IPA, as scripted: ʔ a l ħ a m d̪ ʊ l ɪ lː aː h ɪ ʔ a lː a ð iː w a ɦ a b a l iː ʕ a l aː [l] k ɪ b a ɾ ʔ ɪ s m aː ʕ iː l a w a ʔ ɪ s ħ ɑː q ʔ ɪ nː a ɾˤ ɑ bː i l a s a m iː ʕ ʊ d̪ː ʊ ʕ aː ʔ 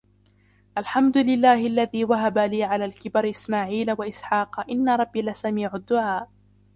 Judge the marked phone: correct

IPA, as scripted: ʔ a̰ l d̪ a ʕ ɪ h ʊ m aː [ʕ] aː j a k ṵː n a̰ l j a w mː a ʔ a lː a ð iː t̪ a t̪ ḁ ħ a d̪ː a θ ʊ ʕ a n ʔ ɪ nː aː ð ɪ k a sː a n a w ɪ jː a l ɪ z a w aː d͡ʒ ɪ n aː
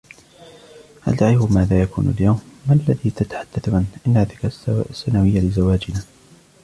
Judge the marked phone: incorrect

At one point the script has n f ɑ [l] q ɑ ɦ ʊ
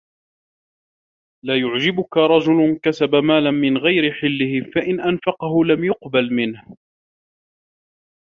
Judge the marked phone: incorrect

